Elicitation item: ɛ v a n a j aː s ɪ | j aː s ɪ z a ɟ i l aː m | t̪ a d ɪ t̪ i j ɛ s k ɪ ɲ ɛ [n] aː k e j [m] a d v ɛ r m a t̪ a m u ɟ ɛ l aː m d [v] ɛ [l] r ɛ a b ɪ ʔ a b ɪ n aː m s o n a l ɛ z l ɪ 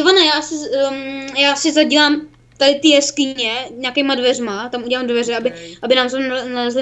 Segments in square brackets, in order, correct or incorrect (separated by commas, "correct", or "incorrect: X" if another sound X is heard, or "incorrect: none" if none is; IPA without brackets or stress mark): incorrect: ɲ, correct, correct, incorrect: none